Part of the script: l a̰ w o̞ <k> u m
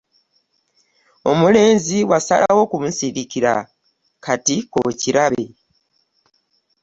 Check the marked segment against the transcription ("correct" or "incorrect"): correct